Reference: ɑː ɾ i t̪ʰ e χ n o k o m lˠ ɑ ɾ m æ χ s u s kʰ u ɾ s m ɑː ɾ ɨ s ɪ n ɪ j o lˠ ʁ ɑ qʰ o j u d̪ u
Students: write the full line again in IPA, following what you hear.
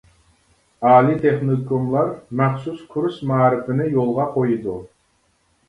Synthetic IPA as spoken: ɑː l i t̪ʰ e χ n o k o m lˠ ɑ ɾ m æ χ s u s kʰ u ɾ s m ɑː ɾ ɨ f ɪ n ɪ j o lˠ ʁ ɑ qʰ o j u d̪ u